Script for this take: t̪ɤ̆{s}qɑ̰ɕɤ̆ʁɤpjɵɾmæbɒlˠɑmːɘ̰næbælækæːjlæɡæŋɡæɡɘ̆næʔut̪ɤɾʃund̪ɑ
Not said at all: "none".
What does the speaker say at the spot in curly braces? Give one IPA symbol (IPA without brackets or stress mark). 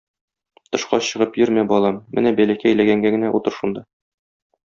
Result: ʃ